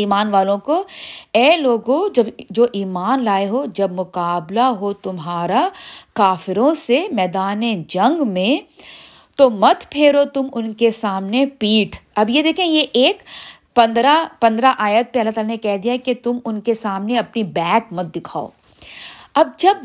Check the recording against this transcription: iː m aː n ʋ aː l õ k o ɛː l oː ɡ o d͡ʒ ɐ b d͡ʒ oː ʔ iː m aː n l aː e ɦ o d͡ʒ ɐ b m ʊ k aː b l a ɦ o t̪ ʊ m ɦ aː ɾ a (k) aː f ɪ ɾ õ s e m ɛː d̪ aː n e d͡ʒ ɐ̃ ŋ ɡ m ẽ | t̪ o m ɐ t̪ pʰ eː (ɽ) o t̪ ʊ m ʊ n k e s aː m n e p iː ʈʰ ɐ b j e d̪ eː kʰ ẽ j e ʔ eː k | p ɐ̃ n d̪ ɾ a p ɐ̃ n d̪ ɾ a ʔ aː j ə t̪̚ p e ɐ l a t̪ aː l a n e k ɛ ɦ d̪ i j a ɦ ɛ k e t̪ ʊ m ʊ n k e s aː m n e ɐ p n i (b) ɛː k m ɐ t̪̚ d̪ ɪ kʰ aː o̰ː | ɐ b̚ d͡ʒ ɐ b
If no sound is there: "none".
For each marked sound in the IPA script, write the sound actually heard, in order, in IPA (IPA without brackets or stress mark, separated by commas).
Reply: k, ɾ, b